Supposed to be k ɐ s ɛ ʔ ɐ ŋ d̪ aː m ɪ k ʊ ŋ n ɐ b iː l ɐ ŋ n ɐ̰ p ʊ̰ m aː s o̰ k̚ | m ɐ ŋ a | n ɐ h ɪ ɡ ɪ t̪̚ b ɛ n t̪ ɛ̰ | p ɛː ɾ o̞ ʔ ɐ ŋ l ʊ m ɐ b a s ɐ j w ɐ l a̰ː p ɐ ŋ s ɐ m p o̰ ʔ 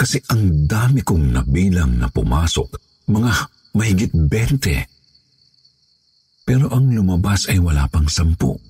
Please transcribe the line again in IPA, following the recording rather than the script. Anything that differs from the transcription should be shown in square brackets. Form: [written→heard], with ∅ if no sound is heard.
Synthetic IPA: k ɐ s ɛ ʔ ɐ ŋ d̪ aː m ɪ k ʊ ŋ n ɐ b iː l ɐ ŋ n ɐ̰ p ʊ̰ m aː s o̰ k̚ | m ɐ ŋ a | [n→m] ɐ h ɪ ɡ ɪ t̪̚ b ɛ n t̪ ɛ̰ | p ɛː ɾ o̞ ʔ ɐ ŋ l ʊ m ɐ b a s ɐ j w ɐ l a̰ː p ɐ ŋ s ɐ m p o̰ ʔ